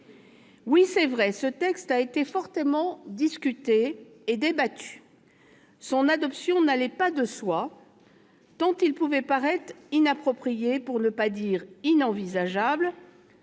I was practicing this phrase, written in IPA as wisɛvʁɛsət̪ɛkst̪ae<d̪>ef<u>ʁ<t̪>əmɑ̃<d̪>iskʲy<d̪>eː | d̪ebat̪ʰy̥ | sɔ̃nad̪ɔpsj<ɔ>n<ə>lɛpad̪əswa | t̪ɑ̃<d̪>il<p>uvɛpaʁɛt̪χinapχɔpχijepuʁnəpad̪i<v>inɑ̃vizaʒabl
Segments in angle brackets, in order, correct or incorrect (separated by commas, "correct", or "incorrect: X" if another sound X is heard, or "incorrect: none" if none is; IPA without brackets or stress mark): incorrect: t̪, incorrect: ɔ, correct, correct, incorrect: t̪, incorrect: ɔ̃, incorrect: a, incorrect: t̪, correct, incorrect: ʁ